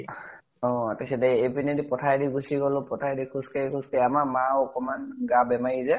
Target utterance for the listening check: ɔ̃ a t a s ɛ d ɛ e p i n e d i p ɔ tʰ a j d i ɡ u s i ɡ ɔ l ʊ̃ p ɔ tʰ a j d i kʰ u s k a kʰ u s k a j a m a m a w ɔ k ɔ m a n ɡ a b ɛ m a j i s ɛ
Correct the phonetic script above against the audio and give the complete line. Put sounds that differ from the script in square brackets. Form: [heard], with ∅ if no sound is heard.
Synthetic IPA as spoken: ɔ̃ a t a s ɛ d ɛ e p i n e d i p ɔ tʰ a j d i ɡ u s i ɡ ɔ l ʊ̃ p ɔ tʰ a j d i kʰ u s k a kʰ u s k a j a m a m a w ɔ k ɔ m a n ɡ a b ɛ m a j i [z] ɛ